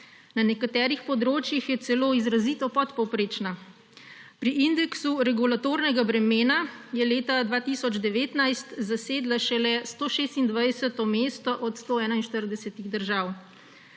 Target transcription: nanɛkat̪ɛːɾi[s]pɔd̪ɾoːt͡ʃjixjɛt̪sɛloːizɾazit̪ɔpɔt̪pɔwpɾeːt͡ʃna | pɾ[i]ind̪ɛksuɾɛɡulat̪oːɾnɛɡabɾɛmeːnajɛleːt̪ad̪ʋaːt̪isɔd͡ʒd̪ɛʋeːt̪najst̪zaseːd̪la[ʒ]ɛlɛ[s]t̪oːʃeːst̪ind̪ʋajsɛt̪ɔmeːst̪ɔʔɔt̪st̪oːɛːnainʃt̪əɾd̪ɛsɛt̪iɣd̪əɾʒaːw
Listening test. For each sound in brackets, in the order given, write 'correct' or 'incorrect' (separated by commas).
incorrect, correct, incorrect, correct